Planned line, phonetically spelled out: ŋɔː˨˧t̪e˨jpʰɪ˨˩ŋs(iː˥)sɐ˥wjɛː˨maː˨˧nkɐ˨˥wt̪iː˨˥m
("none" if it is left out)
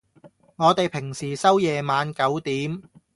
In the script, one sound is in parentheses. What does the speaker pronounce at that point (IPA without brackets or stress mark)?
iː˨˩